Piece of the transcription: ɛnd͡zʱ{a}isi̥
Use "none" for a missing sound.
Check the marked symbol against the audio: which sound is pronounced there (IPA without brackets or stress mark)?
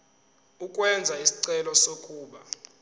a